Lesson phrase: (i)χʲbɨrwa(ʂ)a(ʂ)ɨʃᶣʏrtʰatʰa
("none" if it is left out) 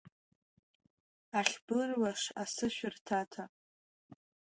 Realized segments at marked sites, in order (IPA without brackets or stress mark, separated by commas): a, ʂ, s